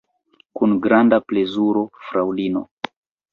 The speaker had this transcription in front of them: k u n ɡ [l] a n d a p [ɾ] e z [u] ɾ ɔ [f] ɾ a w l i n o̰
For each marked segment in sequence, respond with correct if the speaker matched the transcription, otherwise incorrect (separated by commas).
incorrect, incorrect, correct, correct